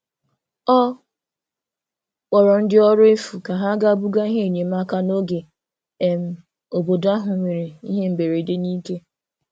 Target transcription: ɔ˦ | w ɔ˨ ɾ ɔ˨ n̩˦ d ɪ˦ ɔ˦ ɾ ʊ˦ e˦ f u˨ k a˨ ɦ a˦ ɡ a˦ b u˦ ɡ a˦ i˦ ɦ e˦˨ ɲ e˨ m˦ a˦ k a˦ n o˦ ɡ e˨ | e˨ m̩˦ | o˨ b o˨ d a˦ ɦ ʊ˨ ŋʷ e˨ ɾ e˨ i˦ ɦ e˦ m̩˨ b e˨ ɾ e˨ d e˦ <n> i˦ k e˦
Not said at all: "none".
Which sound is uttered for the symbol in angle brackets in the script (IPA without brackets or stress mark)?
n